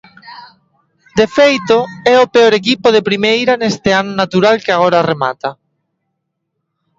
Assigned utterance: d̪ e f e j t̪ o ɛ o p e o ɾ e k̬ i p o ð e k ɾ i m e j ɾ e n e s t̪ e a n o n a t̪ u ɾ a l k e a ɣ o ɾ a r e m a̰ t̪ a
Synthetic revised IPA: d̪ e f e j t̪ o ɛ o p e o ɾ e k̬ i p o ð e p ɾ i m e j ɾ a n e s t̪ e a n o n a t̪ u ɾ a l k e a ɣ o ɾ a r e m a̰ t̪ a